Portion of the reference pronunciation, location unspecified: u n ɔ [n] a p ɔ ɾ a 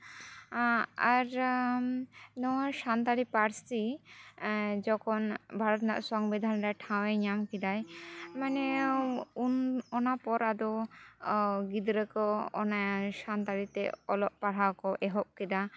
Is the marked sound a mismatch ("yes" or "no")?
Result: no